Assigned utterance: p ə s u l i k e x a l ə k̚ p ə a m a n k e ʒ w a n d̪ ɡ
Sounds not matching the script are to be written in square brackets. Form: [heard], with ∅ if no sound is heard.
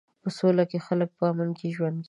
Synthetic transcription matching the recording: p ə s [o] l [a] k e x a l ə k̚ p ə a m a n k e ʒ w a n d̪ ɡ